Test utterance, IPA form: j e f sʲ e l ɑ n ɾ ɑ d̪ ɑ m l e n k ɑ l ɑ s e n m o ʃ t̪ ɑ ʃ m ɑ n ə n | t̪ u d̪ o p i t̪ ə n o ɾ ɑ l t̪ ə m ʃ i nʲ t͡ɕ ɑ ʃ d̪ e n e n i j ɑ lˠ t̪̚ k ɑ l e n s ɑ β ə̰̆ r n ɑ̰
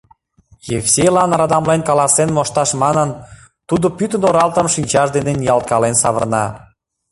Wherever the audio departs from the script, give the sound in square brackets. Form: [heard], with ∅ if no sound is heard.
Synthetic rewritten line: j e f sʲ e l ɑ n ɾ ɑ d̪ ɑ m l e n k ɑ l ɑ s e n m o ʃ t̪ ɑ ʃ m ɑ n ə n | t̪ u d̪ o p [y] t̪ ə n o ɾ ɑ l t̪ ə m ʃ i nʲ t͡ɕ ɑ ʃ d̪ e n e n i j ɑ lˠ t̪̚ k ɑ l e n s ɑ β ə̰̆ r n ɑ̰